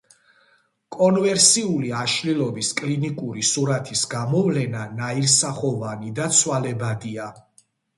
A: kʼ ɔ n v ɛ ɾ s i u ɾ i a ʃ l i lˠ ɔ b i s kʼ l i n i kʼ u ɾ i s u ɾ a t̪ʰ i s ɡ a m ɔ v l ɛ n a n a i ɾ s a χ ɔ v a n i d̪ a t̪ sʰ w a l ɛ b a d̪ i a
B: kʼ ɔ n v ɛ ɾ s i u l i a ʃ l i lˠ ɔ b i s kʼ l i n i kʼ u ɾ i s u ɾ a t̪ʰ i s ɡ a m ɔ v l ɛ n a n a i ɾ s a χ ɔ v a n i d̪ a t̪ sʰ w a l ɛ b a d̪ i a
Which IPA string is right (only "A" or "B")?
B